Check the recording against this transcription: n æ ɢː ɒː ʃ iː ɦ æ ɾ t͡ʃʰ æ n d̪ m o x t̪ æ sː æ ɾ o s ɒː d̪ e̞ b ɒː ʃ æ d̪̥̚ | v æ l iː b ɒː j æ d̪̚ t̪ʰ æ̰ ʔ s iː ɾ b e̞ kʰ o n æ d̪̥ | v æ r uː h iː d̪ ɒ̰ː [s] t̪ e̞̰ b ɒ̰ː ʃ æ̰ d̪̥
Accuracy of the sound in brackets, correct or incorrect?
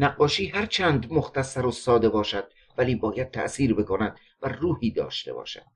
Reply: incorrect